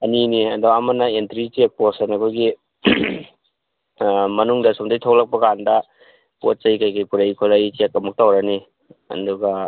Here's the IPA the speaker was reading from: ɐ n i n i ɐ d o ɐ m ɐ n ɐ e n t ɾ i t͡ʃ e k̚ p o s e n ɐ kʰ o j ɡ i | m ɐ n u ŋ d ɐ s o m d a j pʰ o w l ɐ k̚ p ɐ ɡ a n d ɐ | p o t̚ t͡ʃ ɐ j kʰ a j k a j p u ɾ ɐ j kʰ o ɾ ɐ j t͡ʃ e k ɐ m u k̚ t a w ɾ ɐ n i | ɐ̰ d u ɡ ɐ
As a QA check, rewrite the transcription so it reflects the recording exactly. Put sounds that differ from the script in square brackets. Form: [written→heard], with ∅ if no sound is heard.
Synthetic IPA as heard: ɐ n i n i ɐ d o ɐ m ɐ n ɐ e n t ɾ i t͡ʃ e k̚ p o s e n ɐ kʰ o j ɡ i | m ɐ n u ŋ d ɐ s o m d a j [pʰ→tʰ] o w l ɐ k̚ p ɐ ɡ a n d ɐ | p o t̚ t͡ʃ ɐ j [kʰ→k] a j k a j p u ɾ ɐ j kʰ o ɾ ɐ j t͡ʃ e k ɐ m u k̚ t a w ɾ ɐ n i | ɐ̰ d u ɡ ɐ